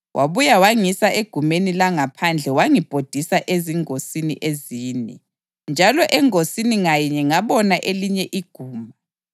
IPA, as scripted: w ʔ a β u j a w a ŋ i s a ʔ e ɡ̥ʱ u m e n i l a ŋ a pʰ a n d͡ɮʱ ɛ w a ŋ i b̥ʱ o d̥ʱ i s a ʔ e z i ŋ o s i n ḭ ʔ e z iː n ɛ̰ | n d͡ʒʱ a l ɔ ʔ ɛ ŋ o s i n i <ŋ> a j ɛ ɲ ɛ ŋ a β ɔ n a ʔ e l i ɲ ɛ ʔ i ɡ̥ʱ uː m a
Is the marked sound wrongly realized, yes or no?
no